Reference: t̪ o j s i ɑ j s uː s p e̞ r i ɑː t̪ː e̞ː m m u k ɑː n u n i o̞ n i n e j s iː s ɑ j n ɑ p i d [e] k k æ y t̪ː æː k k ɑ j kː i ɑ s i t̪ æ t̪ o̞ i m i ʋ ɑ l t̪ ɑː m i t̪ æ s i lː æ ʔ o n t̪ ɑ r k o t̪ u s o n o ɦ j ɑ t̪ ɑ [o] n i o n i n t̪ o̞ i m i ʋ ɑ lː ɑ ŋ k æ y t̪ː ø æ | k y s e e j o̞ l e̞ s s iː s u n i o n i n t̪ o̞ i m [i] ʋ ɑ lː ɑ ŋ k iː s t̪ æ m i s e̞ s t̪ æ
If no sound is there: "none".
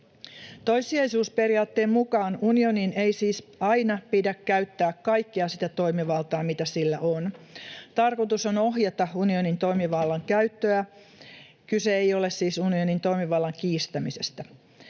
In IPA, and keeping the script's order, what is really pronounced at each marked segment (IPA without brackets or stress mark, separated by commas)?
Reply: æ, u, i